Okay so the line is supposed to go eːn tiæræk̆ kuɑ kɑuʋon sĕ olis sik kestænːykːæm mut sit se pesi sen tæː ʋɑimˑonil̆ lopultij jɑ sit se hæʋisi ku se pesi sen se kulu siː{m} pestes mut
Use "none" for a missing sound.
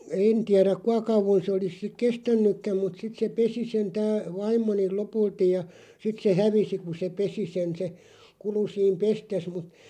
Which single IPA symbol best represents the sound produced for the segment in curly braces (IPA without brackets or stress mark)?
m